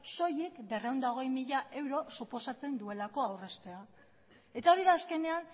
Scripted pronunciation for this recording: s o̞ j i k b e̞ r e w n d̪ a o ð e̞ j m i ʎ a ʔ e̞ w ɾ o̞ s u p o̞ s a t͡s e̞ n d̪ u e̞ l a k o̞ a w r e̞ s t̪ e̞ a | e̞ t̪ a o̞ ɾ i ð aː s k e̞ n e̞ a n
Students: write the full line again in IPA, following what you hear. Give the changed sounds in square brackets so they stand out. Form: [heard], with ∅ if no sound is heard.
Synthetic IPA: s o̞ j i k b e̞ r e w n d̪ a o [ɣ] e̞ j m i ʎ a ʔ e̞ w ɾ o̞ s u p o̞ s a t͡s e̞ n d̪ u e̞ l a k o̞ a w r e̞ s t̪ e̞ a | e̞ t̪ a o̞ ɾ i ð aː s k e̞ n e̞ a n